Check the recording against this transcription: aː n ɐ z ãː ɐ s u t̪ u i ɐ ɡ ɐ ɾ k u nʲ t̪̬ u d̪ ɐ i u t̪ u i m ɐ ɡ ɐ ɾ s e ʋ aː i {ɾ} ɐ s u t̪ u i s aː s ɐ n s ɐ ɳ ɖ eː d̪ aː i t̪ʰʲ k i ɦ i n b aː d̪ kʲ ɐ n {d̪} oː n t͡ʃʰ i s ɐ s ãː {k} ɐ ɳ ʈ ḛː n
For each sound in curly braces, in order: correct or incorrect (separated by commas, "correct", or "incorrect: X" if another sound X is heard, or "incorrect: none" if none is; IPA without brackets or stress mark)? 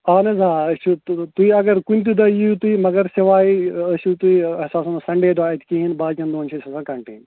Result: incorrect: none, correct, correct